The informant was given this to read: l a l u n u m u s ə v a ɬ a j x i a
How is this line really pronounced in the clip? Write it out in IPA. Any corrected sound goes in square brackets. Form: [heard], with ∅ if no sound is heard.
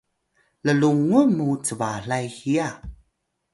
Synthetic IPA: l [ə] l u [ŋ] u m u [t͡s] ə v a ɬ a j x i a

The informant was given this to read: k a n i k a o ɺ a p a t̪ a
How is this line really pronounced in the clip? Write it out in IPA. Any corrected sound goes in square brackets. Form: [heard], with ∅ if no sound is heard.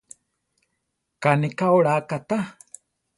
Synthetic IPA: k a n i k a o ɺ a [k] a t̪ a

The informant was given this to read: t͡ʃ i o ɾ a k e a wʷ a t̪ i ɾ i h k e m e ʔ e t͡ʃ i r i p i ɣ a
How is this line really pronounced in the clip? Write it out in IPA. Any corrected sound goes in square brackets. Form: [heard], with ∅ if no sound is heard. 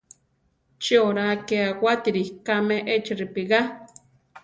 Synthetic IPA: t͡ʃ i o ɾ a k e a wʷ a t̪ i ɾ i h k [a] m e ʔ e t͡ʃ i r i p i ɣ a

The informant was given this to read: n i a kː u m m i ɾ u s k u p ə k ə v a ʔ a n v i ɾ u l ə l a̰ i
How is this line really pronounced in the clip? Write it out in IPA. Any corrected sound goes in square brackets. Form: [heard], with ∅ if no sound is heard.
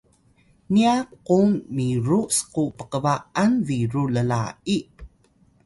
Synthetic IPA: n i a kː u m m i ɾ u s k u p ə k ə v a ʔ a n v i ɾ u l ə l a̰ i

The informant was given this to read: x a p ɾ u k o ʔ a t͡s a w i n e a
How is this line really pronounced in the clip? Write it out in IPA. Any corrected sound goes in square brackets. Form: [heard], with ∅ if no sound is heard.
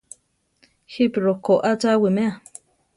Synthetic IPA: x [i] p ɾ [o] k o ʔ a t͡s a w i [m] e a

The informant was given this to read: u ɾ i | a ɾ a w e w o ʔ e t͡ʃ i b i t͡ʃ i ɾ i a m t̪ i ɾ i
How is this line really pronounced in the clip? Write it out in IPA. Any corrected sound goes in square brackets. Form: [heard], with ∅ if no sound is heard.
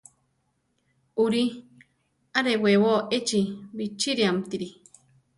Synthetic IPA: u ɾ i | a ɾ [e] w e w o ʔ e t͡ʃ i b i t͡ʃ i ɾ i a m t̪ i ɾ i

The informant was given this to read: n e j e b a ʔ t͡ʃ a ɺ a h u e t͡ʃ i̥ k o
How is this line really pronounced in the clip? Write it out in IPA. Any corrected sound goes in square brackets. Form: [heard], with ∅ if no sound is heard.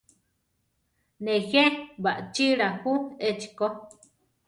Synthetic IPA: n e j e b a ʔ t͡ʃ [i] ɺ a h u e t͡ʃ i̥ k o

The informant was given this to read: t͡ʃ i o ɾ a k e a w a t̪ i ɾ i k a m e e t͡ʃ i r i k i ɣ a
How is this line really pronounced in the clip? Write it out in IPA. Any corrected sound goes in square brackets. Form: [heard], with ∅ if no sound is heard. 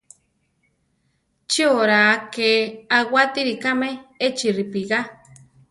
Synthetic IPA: t͡ʃ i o ɾ a k e a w a t̪ i ɾ i k a m e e t͡ʃ i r i [p] i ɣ a

